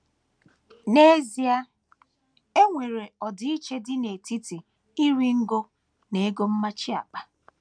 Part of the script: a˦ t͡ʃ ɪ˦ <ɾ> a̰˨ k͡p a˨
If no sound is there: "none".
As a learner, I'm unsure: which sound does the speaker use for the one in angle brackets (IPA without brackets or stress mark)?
none